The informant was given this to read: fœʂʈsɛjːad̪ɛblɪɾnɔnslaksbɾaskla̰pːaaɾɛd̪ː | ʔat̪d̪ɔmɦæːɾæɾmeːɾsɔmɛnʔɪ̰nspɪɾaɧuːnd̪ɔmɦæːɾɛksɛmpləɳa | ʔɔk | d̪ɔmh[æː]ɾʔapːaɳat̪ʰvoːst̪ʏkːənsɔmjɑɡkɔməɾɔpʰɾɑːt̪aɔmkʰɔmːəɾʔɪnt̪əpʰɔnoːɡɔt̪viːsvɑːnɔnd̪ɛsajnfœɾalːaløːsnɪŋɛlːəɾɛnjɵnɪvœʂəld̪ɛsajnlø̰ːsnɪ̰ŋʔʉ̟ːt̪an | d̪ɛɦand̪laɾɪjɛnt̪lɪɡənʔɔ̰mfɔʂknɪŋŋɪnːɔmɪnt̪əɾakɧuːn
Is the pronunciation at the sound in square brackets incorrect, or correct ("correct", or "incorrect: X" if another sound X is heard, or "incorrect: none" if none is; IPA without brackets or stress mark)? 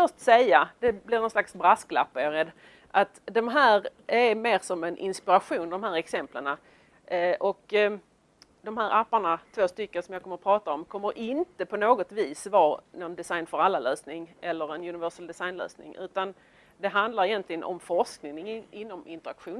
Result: correct